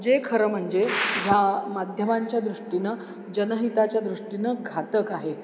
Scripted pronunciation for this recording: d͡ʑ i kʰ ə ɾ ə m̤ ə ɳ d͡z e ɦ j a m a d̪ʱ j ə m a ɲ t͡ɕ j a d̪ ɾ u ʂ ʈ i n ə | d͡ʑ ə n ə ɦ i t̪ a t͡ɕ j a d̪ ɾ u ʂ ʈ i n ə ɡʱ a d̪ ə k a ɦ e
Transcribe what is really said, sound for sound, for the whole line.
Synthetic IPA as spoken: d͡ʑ e kʰ ə ɾ ə m̤ ə ɳ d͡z e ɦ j a m a d̪ʱ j ə m a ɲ t͡ɕ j a d̪ ɾ u ʂ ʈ i n ə | d͡ʑ ə n ə ɦ i t̪ a t͡ɕ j a d̪ ɾ u ʂ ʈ i n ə ɡʱ a t̪ ə k a ɦ e